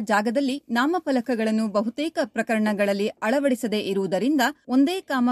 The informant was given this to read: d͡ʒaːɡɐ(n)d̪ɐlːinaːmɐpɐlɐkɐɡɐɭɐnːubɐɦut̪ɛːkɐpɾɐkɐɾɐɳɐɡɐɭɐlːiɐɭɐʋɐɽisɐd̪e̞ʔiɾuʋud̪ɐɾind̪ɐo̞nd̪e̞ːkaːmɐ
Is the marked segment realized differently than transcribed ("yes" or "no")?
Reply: yes